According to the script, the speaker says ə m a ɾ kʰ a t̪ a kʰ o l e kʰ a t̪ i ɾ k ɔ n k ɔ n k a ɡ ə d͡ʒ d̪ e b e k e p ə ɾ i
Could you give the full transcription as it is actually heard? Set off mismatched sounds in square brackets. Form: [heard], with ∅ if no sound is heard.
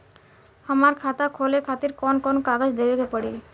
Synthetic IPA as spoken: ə m a ɾ kʰ a t̪ a kʰ o l e kʰ a t̪ i ɾ k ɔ n k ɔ n k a ɡ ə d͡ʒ d̪ e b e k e p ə [ɽ] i